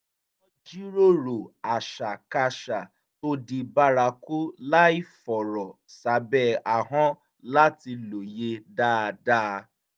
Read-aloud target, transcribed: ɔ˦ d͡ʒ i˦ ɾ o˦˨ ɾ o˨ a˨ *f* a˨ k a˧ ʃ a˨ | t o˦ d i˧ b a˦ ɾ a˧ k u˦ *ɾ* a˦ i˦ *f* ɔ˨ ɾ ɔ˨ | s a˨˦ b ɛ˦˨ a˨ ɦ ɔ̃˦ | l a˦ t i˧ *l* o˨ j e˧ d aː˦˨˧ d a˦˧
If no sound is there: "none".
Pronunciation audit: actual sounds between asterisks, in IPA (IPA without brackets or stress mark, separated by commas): ʃ, l, f, l